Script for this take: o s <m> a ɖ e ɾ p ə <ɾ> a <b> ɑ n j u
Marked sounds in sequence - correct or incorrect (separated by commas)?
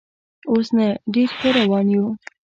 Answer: incorrect, correct, incorrect